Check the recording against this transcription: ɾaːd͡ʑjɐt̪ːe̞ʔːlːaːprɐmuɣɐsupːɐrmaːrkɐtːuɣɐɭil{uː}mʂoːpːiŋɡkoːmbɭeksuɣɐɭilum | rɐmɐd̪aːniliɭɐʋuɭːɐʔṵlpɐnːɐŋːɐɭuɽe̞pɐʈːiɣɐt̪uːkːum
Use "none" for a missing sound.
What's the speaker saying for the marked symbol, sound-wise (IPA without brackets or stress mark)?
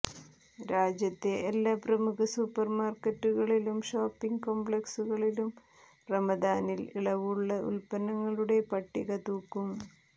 u